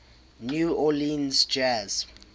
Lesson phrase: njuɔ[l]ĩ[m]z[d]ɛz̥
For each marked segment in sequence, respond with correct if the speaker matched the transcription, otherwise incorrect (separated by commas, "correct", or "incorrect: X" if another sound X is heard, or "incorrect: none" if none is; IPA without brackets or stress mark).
correct, incorrect: n, incorrect: d͡ʒ